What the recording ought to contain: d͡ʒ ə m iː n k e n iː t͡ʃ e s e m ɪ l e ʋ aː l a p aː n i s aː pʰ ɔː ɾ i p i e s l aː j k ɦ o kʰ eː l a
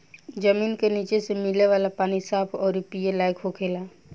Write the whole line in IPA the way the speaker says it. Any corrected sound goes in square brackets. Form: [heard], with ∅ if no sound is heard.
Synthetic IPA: d͡ʒ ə m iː n k e n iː t͡ʃ e s e m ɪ l e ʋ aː l a p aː n i s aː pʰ ɔː ɾ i p i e [∅] l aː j k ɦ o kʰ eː l a

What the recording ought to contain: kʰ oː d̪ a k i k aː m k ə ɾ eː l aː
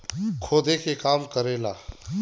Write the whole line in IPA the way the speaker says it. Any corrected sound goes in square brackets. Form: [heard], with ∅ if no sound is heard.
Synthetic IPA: kʰ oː d̪ [e] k [e] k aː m k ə ɾ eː l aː

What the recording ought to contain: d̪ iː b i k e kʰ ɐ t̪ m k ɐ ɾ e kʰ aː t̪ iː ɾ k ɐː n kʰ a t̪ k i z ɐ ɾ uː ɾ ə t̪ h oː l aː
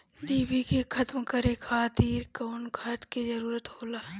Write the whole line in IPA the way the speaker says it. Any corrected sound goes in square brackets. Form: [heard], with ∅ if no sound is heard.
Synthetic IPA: d̪ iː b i k e kʰ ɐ t̪ m k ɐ ɾ e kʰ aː t̪ iː ɾ k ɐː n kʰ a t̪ k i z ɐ ɾ uː ɾ ə t̪ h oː l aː

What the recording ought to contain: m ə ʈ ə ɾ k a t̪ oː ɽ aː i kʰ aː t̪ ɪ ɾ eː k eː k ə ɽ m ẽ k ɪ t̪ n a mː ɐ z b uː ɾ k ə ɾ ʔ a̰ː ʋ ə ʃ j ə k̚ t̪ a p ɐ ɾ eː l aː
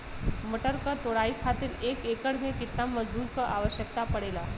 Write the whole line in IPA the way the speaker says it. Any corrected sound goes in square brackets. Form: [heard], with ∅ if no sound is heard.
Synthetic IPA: m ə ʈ ə ɾ k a t̪ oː ɽ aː i kʰ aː t̪ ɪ ɾ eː k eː k ə ɽ m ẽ k ɪ t̪ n a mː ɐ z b uː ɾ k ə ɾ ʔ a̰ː ʋ ə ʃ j ə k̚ t̪ a p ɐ [ɽ] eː l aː

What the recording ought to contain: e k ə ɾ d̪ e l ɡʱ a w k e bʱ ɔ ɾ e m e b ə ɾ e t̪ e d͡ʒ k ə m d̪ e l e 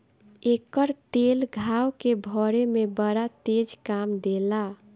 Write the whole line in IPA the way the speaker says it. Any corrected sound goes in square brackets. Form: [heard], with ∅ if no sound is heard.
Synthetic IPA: e k ə ɾ [t̪] e l ɡʱ a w k e bʱ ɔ ɾ e m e b ə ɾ [a] t̪ e d͡ʒ k [a] m d̪ e l [a]

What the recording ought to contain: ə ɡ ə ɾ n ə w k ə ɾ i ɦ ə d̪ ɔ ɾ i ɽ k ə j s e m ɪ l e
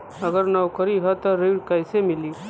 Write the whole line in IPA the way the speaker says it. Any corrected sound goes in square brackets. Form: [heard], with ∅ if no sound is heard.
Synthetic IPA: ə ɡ ə ɾ n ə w k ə ɾ i ɦ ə [t̪] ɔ ɾ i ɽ k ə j s e m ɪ l [i]

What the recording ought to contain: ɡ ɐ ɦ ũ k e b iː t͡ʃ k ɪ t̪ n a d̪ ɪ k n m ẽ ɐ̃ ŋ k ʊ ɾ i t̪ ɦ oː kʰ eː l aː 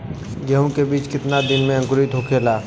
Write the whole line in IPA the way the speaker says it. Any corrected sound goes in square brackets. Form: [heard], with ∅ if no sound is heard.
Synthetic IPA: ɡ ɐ ɦ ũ k e b iː t͡ʃ k ɪ t̪ n a d̪ ɪ [∅] n m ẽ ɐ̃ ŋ k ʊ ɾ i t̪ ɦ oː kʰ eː l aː

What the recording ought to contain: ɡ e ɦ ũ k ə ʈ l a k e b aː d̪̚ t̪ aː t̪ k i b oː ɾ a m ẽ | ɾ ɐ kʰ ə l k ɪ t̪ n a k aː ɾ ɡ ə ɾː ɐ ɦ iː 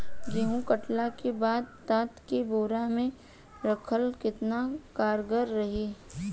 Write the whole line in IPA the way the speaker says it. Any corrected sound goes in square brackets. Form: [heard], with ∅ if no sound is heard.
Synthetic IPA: ɡ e ɦ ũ k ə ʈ l a k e b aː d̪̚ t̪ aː t̪ k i b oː ɾ a m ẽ | ɾ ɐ kʰ ə l k ɪ t̪ n a k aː ɾ ɡ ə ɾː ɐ ɦ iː

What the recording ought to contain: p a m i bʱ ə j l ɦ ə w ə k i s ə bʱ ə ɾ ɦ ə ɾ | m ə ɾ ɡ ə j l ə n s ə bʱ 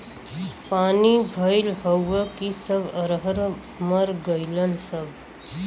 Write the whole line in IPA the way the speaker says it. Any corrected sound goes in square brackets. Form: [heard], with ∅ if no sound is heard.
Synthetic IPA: p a [n] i bʱ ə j l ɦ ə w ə k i s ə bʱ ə ɾ ɦ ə ɾ | m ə ɾ ɡ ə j l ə n s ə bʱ

